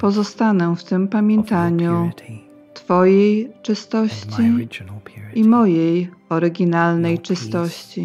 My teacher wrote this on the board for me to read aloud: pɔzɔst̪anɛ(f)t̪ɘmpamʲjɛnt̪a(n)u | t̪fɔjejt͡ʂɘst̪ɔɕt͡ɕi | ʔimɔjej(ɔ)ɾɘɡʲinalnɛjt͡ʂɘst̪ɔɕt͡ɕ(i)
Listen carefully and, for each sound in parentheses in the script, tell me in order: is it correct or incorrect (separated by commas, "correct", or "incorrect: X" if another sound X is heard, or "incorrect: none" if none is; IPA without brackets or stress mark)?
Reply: correct, incorrect: ɲ, correct, correct